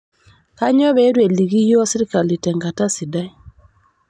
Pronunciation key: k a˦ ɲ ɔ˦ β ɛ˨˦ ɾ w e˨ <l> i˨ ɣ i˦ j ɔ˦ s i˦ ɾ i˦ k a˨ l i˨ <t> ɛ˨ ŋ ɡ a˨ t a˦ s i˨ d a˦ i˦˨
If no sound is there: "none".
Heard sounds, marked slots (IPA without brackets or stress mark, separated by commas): l, t